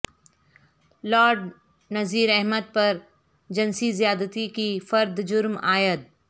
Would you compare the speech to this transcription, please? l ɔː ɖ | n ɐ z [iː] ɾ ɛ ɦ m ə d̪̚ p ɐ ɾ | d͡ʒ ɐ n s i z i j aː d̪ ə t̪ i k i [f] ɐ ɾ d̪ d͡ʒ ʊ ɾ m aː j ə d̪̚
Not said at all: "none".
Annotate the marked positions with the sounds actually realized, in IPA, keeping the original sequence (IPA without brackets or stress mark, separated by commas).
iː, f